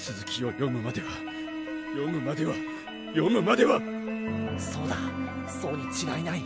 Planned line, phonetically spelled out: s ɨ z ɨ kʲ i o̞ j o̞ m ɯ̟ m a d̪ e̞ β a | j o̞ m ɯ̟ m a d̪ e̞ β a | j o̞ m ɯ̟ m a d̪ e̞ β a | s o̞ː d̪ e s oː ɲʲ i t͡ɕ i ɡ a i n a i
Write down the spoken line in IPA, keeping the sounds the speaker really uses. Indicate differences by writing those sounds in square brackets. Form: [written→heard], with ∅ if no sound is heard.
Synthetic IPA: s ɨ z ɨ kʲ i o̞ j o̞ m ɯ̟ m a d̪ e̞ β a | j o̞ m ɯ̟ m a d̪ e̞ β a | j o̞ m ɯ̟ m a d̪ e̞ β a | s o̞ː d̪ [e→a] s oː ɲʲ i t͡ɕ i ɡ a i n a i